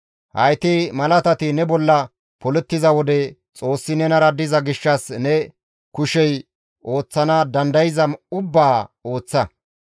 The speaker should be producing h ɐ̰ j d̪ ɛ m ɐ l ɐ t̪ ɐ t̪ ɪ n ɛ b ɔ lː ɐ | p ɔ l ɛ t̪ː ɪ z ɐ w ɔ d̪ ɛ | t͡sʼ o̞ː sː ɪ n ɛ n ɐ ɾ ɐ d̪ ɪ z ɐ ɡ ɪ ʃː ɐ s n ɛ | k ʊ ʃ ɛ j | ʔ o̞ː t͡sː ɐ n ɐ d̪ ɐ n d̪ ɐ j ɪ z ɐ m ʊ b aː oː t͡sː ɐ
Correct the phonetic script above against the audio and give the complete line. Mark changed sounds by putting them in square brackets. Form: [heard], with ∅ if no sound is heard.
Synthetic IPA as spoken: h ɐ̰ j [t̪] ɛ m ɐ l ɐ t̪ ɐ t̪ ɪ n ɛ b ɔ lː ɐ | p ɔ l ɛ t̪ː ɪ z ɐ w ɔ d̪ ɛ | t͡sʼ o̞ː sː ɪ n ɛ n ɐ ɾ ɐ d̪ ɪ z ɐ ɡ ɪ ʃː ɐ s n ɛ | k ʊ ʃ ɛ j | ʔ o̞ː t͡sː ɐ n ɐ d̪ ɐ n d̪ ɐ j ɪ z ɐ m ʊ [bː] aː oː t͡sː ɐ